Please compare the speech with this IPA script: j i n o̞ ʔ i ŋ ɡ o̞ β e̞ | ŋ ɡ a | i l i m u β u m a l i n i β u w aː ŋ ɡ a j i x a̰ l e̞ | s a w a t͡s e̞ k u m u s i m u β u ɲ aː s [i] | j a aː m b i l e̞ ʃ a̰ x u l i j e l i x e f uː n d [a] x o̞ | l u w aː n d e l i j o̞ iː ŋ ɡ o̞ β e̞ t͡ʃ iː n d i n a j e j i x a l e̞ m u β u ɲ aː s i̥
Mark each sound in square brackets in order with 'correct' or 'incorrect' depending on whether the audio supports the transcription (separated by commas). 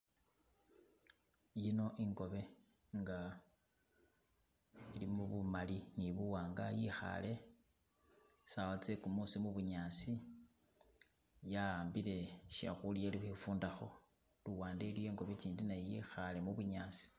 correct, correct